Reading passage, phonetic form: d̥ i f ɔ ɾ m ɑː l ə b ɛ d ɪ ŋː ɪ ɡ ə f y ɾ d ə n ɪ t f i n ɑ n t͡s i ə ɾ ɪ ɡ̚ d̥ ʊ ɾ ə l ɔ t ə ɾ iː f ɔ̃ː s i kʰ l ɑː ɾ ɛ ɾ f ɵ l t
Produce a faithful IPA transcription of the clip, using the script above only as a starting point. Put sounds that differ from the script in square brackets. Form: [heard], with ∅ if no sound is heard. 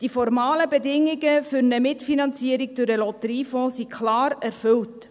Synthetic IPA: d̥ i f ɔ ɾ m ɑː l ə b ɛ d ɪ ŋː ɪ ɡ ə f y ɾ [n] ə [m] ɪ t f i n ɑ n t͡s i ə ɾ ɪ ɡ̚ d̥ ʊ ɾ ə l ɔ t ə ɾ iː f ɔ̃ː s i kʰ l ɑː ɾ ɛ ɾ f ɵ l t